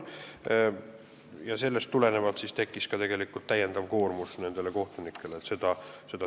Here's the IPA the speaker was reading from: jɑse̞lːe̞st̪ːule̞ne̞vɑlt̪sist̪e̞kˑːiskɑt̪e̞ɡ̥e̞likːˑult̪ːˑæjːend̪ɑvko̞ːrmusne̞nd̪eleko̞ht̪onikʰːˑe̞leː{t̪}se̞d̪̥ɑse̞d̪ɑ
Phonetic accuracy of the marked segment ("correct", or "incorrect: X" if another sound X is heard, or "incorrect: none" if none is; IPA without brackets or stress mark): correct